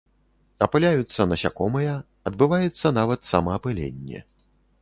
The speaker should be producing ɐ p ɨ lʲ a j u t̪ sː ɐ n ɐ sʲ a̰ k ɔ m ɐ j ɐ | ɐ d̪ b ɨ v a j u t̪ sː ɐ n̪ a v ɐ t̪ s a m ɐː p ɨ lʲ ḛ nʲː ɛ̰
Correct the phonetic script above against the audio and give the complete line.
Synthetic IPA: ɐ p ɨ lʲ a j u t̪ sː ɐ n ɐ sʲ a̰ k ɔ m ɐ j ɐ | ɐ d̪ b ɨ v a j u t̪ sː ɐ n̪ a v ɐ t̪ s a m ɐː p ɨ lʲ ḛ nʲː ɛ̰